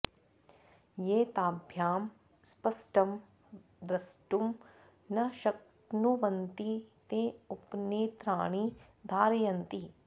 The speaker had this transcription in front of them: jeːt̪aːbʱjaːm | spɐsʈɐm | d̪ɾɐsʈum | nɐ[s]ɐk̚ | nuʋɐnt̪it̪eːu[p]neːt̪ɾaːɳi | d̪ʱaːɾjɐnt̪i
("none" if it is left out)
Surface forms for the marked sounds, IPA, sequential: ʃ, p

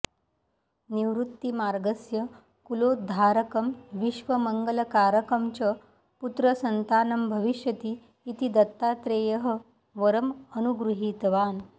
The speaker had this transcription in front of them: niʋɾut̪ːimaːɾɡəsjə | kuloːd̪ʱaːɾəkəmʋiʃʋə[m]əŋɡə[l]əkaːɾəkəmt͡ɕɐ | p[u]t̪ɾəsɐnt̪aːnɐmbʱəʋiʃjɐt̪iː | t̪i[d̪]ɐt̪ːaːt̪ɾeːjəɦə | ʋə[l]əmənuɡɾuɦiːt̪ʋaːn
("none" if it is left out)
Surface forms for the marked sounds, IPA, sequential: m, l, u, d̪, ɾ

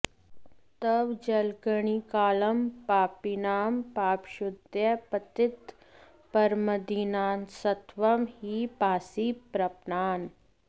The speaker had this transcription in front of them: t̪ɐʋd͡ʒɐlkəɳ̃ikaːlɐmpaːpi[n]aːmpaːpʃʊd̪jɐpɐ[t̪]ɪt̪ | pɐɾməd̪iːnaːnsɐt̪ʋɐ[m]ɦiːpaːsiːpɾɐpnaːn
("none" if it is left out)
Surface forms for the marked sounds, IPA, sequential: n, t̪, m

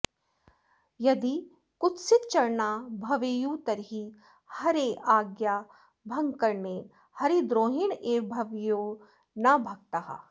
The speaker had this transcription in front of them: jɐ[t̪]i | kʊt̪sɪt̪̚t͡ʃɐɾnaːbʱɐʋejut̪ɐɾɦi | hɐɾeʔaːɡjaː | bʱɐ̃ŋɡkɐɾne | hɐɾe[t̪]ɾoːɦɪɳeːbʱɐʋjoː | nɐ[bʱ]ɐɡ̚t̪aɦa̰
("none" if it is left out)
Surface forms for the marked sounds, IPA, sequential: d̪, d̪, bʱ

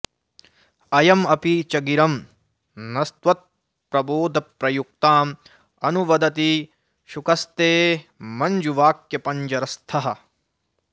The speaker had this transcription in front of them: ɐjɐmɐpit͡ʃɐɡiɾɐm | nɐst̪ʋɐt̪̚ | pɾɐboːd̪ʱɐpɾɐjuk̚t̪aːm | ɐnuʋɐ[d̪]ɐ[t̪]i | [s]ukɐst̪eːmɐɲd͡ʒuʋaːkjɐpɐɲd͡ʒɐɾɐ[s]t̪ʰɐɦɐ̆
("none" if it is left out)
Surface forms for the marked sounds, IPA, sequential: d̪, t̪, ʃ, s

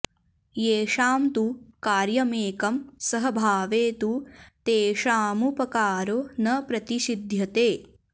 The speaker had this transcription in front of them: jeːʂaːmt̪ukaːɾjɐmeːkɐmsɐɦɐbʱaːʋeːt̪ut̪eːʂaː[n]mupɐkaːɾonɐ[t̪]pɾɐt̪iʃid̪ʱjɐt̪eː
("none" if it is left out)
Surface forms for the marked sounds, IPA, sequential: none, none

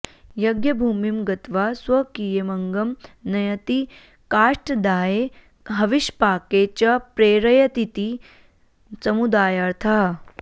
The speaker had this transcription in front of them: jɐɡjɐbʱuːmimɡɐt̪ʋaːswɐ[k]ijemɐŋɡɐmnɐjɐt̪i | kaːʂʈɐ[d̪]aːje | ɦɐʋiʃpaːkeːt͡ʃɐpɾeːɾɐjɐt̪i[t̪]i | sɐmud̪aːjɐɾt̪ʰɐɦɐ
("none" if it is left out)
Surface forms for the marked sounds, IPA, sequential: k, d̪, t̪

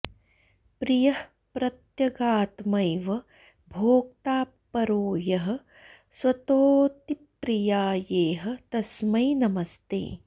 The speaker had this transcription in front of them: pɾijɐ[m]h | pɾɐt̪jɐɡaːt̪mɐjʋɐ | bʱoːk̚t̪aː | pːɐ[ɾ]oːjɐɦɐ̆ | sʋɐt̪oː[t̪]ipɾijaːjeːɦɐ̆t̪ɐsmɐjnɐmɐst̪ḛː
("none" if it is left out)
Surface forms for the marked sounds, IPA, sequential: none, ɾ, t̪

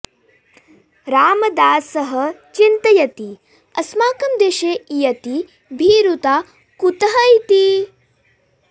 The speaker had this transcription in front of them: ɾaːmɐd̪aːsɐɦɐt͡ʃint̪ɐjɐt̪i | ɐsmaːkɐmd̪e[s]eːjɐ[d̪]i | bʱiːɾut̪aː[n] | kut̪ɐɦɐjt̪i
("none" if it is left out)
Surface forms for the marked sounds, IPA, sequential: ʃ, t̪, none

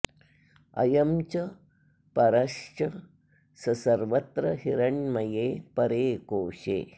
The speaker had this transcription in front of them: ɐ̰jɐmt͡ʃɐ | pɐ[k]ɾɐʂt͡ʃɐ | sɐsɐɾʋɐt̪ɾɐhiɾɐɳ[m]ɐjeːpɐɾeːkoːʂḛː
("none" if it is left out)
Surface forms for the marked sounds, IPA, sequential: none, m

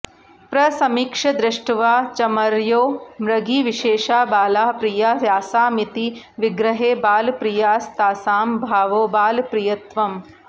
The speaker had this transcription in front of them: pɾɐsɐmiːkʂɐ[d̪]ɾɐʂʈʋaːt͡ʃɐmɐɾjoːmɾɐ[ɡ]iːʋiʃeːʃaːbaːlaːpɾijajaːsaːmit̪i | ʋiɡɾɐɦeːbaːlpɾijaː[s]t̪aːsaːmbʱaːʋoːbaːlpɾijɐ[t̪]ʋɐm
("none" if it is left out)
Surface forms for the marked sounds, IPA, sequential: d̪, ɡ, s, t̪

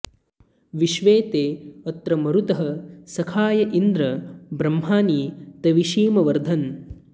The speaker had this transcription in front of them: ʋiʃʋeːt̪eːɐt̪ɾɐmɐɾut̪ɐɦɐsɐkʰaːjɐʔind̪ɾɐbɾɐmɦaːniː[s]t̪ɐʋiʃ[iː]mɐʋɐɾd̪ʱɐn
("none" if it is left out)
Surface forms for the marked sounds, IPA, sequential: none, iː

